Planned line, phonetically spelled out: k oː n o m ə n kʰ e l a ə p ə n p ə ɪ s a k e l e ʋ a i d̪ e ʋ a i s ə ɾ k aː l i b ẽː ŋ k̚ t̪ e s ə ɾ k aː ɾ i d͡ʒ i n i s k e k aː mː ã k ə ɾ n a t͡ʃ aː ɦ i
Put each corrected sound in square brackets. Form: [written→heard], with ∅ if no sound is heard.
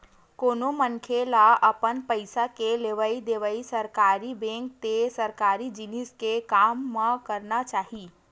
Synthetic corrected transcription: k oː n o m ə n kʰ e l a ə p ə n p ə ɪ s a k e l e ʋ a i d̪ e ʋ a i s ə ɾ k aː [l→ɾ] i b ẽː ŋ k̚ t̪ e s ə ɾ k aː ɾ i d͡ʒ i n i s k e k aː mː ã k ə ɾ n a t͡ʃ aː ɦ i